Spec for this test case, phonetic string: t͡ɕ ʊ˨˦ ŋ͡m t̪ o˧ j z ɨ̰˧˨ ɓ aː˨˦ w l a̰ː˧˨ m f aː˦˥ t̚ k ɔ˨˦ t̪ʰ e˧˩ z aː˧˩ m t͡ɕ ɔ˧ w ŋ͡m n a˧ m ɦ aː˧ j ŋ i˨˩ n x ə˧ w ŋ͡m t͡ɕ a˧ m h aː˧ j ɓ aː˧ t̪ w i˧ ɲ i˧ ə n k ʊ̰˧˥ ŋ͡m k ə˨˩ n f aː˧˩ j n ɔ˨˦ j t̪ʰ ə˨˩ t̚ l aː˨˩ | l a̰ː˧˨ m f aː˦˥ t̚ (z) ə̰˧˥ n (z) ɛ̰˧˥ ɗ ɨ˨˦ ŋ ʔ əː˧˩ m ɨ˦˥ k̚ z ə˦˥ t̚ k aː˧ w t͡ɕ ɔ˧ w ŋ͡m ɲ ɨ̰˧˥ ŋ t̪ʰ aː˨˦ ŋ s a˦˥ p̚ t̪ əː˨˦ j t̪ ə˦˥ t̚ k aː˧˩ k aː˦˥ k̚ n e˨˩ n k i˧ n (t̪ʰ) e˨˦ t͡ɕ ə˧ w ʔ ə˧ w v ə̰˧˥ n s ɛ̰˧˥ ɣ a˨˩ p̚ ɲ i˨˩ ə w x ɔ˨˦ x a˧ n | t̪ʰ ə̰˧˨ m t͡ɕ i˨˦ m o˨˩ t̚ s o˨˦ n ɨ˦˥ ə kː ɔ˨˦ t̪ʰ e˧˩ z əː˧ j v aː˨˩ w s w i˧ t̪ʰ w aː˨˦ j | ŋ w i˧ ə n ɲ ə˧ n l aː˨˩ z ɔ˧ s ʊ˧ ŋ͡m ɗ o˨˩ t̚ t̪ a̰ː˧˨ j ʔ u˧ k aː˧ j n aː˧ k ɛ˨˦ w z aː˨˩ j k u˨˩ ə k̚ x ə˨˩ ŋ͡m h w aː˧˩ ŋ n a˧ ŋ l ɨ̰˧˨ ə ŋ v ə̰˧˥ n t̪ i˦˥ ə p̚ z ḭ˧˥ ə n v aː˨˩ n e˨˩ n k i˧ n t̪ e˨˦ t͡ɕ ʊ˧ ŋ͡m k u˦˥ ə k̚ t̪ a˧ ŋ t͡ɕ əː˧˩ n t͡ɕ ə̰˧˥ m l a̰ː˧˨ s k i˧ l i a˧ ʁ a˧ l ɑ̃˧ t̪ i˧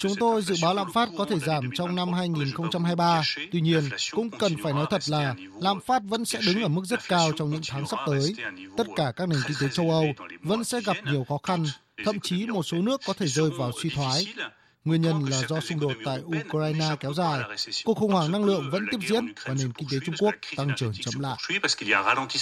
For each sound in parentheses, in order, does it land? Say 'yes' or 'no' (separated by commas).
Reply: no, no, no